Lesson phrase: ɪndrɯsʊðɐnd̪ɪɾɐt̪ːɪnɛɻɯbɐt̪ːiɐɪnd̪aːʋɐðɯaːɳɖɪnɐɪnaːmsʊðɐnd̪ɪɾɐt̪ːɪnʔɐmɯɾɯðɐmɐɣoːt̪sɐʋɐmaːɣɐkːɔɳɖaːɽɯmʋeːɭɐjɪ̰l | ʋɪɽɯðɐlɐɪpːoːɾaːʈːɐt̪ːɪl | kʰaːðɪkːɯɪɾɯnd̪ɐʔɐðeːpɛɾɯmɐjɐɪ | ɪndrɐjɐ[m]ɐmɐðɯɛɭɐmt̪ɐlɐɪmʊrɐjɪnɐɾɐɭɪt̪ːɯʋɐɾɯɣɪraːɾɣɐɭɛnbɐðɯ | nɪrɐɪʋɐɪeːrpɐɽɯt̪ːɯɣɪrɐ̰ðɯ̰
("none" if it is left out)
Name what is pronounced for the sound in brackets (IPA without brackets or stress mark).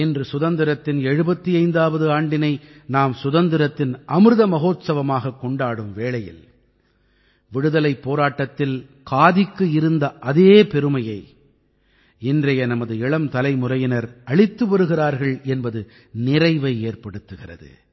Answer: n